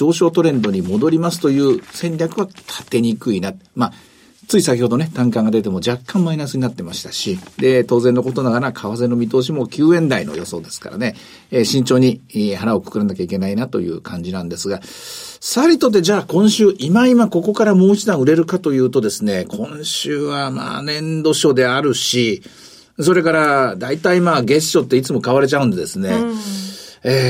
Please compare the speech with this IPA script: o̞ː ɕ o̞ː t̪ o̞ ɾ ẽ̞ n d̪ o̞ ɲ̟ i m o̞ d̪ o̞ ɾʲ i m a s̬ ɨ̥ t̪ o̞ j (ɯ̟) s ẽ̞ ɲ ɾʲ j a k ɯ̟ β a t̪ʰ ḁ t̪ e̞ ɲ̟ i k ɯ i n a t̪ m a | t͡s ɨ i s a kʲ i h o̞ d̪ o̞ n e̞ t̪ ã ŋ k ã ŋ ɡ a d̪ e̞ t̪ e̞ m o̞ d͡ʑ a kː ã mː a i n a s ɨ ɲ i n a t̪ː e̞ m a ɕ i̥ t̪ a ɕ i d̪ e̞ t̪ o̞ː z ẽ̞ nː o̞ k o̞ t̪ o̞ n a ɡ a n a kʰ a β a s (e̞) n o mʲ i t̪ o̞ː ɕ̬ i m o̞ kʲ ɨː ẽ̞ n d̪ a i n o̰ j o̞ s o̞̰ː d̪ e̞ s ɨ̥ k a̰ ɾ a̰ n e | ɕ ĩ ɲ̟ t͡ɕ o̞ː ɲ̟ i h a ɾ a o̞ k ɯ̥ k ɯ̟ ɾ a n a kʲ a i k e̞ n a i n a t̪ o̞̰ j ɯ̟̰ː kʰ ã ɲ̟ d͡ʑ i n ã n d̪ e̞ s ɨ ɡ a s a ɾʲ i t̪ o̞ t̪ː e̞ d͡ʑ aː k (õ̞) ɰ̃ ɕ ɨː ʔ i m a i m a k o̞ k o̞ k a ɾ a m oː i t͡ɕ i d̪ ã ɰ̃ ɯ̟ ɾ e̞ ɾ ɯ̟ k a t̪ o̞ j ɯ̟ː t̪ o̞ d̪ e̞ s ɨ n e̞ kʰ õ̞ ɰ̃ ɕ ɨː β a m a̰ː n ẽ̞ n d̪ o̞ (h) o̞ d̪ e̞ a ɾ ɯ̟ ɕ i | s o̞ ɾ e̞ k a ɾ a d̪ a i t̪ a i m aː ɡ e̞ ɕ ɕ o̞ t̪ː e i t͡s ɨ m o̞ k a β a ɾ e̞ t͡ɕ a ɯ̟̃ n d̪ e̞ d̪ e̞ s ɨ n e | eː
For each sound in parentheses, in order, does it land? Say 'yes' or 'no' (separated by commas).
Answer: no, yes, yes, no